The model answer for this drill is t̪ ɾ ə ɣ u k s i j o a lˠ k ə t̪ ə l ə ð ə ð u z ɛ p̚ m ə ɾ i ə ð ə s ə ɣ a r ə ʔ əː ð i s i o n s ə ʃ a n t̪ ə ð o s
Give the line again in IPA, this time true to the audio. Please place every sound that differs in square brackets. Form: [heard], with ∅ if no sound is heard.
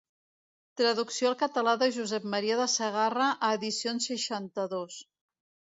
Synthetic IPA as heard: t̪ ɾ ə [ð] u k s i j o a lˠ k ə t̪ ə l [a] ð ə [ʒ] u z ɛ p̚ m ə ɾ i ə ð ə s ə ɣ a r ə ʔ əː ð i s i o n s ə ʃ a n t̪ ə ð o s